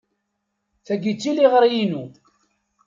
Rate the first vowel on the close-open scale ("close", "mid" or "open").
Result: open